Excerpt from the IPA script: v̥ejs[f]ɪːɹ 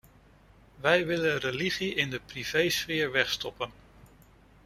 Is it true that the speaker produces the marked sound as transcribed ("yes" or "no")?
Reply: yes